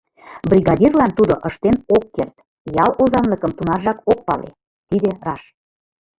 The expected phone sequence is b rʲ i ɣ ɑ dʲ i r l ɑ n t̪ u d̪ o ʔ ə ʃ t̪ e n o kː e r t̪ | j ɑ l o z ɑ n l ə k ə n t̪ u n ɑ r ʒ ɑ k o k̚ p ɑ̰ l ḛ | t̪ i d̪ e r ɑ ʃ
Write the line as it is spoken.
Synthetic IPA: b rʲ i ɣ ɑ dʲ i r l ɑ n t̪ u d̪ o ʔ ə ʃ t̪ e n o kː e r t̪ | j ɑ l o z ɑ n l ə k ə m t̪ u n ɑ r ʒ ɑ k o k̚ p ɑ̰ l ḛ | t̪ i d̪ e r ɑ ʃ